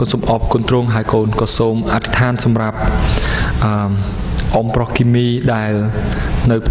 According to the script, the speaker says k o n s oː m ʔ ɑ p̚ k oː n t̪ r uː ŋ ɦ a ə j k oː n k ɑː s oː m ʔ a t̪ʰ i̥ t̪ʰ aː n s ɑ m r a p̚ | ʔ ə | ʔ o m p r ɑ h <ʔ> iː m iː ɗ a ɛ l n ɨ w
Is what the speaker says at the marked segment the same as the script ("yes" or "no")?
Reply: no